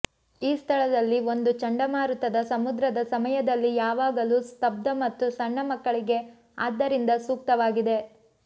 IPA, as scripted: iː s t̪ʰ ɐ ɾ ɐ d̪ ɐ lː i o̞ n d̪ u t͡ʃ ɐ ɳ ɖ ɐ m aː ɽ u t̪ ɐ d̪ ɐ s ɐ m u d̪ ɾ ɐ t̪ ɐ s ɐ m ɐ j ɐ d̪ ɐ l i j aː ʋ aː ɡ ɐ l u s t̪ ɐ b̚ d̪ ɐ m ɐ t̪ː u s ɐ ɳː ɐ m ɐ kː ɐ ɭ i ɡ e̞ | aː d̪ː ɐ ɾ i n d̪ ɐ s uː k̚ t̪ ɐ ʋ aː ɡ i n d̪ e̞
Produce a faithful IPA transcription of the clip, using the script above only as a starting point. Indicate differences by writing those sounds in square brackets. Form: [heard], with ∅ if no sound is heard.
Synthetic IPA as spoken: iː s t̪ʰ ɐ [ɭ] ɐ d̪ ɐ lː i o̞ n d̪ u t͡ʃ ɐ ɳ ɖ ɐ m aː [ɾ] u t̪ ɐ d̪ ɐ s ɐ m u d̪ ɾ ɐ [d̪] ɐ s ɐ m ɐ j ɐ d̪ ɐ [lː] i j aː ʋ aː ɡ ɐ l u s t̪ ɐ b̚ d̪ ɐ m ɐ t̪ː u s ɐ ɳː ɐ m ɐ kː ɐ ɭ i ɡ e̞ | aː d̪ː ɐ ɾ i n d̪ ɐ s uː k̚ t̪ ɐ ʋ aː ɡ i [∅] d̪ e̞